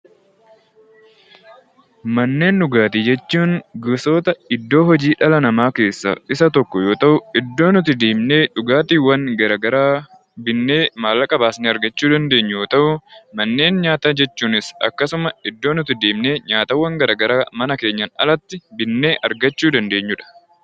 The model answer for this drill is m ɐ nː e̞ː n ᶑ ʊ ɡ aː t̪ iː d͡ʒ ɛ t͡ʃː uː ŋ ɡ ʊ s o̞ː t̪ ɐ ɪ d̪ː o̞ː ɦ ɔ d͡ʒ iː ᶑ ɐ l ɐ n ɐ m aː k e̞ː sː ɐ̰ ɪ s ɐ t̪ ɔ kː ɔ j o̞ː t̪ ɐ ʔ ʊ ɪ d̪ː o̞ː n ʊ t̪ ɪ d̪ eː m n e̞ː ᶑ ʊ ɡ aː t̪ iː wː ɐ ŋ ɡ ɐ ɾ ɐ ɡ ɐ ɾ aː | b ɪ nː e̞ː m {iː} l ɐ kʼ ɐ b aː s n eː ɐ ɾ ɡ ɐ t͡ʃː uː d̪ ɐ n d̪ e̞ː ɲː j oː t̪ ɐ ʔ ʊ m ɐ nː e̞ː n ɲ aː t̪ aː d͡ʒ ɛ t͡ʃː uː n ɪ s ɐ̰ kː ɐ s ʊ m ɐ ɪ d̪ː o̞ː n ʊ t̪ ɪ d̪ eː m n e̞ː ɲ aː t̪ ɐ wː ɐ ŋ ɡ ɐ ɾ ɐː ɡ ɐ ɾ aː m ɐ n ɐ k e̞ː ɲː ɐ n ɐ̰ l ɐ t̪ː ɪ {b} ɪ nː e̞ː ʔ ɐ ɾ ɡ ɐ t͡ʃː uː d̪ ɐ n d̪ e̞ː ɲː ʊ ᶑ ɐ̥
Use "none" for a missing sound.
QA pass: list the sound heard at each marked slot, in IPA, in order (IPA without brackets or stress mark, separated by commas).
aː, b